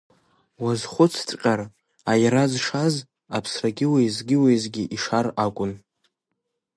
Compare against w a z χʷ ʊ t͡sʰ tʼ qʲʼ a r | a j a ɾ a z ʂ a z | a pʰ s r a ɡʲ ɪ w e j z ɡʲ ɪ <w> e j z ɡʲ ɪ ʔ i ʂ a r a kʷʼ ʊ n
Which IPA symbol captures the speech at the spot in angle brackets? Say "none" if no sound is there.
w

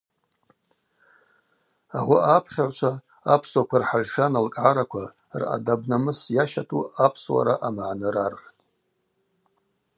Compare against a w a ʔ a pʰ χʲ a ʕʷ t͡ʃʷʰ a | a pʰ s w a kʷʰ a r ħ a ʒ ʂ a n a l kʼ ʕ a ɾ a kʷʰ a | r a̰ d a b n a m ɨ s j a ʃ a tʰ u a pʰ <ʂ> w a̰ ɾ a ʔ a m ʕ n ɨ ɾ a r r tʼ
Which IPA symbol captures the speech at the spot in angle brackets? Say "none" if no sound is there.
s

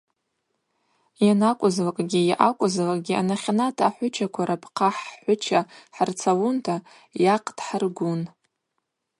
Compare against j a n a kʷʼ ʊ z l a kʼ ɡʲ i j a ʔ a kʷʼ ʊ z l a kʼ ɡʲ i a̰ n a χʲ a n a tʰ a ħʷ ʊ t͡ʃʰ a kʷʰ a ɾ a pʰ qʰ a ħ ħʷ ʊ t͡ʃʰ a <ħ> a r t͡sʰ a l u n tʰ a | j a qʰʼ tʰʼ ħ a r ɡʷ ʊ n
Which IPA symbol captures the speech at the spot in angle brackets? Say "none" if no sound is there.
ħ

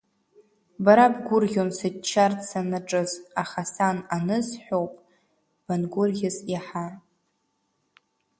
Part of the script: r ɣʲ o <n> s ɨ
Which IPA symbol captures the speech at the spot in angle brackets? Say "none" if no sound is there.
n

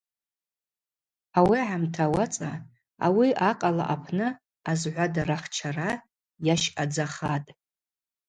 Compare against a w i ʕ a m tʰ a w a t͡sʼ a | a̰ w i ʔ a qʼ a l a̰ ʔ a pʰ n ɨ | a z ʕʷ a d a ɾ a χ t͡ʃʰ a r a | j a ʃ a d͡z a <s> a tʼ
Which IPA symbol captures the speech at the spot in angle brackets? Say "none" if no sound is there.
χ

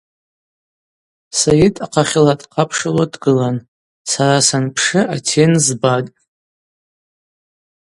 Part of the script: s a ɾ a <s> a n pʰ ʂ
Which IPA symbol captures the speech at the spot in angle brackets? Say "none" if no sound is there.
s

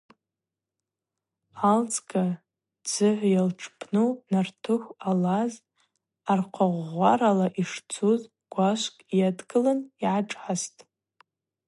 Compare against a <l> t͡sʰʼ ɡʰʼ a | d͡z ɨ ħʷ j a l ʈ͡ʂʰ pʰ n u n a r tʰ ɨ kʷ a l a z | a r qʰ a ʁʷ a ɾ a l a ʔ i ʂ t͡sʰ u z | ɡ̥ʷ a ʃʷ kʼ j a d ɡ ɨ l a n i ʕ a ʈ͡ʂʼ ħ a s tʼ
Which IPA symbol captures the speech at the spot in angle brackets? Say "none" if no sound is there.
l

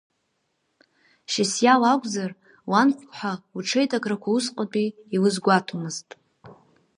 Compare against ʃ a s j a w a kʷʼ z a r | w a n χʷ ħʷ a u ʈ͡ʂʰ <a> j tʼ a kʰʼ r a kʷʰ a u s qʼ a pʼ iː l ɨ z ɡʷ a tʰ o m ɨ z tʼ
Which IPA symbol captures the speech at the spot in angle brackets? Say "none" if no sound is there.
e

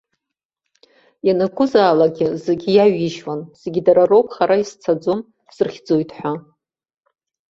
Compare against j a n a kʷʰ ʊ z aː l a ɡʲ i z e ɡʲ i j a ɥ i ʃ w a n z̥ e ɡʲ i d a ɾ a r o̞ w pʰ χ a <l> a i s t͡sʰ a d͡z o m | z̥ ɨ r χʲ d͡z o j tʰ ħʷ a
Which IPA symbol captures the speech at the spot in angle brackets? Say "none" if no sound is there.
ɾ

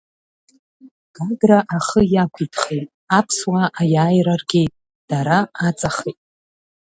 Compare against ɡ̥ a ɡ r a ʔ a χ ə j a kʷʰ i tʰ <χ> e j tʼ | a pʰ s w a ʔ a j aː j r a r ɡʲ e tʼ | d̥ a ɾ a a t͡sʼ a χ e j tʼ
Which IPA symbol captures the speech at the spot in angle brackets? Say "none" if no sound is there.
χ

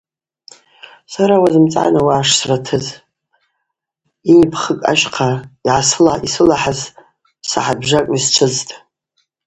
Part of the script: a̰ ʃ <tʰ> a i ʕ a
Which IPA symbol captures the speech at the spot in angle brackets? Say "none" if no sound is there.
qʰ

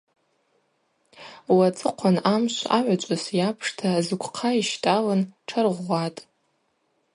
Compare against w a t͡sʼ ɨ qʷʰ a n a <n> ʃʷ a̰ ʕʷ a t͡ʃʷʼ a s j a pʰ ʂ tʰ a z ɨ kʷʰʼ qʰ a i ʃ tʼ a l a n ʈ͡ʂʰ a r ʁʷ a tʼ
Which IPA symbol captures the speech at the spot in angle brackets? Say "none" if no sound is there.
m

